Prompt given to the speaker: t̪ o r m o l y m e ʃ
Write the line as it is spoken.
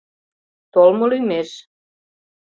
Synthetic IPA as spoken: t̪ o l m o l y m e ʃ